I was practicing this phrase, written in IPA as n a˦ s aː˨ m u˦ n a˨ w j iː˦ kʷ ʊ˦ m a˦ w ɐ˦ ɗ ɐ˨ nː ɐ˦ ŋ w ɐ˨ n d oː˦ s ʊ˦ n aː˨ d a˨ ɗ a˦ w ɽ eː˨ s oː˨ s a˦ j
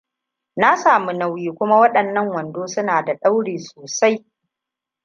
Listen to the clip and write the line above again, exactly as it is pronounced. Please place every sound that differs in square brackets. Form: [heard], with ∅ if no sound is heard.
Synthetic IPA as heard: n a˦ s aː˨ m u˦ n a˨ w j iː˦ kʷ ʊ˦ m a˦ w ɐ˦ ɗ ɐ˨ nː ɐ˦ ŋ w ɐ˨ n d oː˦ s ʊ˦ n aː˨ d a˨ ɗ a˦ w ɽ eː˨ s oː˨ s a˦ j